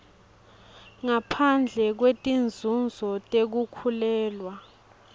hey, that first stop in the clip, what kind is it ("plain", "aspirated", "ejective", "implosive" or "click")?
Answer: aspirated